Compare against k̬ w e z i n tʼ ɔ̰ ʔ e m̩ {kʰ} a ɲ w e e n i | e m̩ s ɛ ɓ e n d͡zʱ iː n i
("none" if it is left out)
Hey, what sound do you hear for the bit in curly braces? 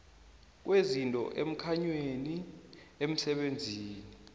kʰ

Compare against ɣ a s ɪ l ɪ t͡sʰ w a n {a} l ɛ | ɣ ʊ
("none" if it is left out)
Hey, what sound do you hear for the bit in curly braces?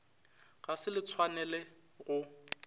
ɛ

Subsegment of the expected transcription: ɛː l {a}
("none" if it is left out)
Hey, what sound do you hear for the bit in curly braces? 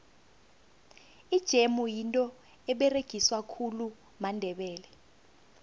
ɛ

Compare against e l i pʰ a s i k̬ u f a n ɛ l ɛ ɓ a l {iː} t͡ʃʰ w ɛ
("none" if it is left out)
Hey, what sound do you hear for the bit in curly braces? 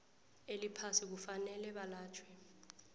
aː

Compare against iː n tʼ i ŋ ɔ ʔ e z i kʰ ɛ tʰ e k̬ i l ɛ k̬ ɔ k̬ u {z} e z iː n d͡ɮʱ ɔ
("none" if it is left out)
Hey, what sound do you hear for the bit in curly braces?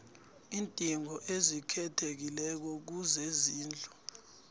z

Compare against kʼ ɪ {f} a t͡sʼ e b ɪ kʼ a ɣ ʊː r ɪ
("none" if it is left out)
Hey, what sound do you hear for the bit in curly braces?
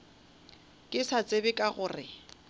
s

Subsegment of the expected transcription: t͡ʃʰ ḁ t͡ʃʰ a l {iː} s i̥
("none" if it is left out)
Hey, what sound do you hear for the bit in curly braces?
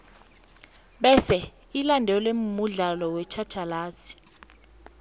aː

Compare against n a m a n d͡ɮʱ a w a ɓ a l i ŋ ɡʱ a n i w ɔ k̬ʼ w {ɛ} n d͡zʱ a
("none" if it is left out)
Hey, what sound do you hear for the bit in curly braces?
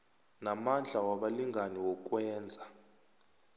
ɛː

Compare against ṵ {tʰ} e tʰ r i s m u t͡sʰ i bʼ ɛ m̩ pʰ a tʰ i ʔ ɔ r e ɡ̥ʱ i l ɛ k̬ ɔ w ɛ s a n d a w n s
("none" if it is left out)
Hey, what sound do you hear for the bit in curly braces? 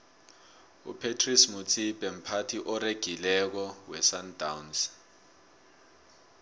pʰ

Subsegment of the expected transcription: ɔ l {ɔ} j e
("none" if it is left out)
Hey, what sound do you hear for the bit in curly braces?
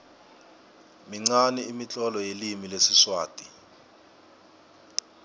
ɔ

